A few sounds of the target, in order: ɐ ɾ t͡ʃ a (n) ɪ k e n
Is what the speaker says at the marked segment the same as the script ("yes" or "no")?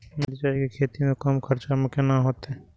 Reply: no